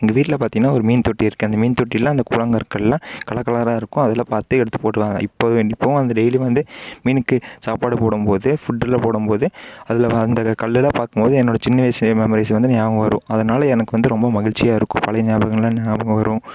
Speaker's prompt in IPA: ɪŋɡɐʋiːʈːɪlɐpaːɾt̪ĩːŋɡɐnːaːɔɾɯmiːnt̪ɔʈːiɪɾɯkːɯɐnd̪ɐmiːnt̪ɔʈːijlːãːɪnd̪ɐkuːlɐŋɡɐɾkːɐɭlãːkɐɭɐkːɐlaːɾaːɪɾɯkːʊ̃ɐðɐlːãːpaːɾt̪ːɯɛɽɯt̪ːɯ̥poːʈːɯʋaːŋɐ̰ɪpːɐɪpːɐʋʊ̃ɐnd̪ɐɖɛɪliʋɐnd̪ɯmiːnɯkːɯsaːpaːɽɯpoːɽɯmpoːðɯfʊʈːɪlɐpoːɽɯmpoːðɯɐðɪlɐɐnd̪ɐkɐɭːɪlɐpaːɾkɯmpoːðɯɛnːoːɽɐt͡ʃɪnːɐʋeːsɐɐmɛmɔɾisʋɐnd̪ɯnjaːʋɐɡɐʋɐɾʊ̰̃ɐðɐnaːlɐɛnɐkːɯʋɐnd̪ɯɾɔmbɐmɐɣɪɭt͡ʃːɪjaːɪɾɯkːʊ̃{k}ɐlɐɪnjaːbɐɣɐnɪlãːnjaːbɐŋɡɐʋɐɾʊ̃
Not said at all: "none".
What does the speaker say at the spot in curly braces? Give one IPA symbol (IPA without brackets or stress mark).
p